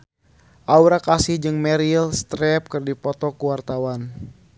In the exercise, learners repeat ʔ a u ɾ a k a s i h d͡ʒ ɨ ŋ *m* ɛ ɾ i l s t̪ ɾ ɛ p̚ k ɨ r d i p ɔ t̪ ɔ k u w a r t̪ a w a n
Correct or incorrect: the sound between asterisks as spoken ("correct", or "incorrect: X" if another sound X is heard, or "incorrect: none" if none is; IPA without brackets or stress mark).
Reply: correct